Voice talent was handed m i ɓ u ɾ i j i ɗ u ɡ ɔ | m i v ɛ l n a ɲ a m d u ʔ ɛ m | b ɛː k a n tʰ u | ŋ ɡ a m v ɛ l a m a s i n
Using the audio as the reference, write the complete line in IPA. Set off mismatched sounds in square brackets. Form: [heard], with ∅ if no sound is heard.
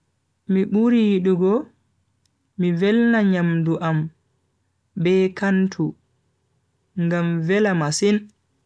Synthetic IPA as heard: m i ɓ u ɾ i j i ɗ u ɡ ɔ | m i v ɛ l n a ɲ a m d u ʔ [a] m | b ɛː k a n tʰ u | ŋ ɡ a m v ɛ l a m a s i n